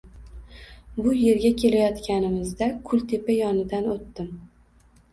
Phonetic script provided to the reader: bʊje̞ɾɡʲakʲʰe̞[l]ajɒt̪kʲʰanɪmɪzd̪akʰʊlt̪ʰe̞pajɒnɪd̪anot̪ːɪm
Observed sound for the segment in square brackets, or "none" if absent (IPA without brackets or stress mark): l